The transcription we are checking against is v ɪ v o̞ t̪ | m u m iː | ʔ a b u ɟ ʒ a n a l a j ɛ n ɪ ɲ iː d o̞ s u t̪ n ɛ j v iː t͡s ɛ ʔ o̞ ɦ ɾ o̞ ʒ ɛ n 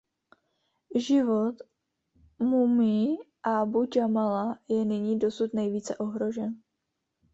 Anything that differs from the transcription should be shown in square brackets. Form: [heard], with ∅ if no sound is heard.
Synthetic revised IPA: [ʒ] ɪ v o̞ t̪ | m u m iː | ʔ a b u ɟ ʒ a [m] a l a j ɛ n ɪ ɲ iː d o̞ s u t̪ n ɛ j v iː t͡s ɛ ʔ o̞ ɦ ɾ o̞ ʒ ɛ n